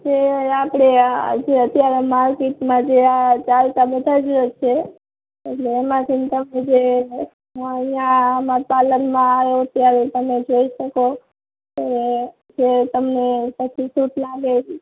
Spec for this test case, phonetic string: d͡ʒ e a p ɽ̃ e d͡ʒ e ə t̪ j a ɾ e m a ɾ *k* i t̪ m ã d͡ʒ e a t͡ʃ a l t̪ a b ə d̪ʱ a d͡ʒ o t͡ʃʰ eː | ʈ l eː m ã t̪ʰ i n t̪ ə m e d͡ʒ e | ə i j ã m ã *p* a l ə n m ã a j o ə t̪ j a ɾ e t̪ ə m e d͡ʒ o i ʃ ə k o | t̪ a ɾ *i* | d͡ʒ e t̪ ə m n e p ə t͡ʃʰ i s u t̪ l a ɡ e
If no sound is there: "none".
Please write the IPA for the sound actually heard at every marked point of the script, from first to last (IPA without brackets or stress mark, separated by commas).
k, p, e